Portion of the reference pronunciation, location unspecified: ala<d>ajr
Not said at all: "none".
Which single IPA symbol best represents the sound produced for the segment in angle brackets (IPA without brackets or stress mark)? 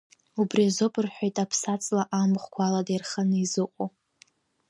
d